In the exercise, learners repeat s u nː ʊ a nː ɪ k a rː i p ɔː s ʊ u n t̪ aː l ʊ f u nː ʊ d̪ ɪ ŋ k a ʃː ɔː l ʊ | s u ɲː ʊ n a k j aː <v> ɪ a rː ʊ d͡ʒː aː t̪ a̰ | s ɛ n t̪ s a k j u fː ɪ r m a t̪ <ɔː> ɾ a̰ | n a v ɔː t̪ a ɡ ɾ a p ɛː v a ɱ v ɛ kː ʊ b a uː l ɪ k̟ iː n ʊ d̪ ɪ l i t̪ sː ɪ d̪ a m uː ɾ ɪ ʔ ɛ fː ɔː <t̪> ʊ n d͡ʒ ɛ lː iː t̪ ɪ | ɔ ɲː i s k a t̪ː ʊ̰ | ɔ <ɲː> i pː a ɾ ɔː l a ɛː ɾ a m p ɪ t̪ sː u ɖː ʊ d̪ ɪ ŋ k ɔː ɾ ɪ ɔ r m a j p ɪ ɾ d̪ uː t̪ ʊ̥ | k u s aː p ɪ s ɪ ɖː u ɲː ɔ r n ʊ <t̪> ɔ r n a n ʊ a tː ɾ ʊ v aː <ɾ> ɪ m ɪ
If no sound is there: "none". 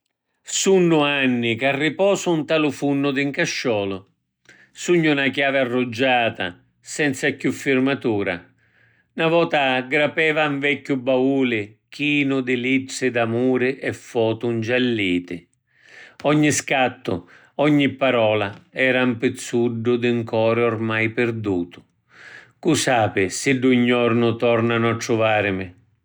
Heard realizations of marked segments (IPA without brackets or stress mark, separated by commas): v, uː, t̪, ɲː, t̪, ɾ